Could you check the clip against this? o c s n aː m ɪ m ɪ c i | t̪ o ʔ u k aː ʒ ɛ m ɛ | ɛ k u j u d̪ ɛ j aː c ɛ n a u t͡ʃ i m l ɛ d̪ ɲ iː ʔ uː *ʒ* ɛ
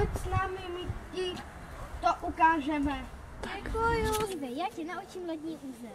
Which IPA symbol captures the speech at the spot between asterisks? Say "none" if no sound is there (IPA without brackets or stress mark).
z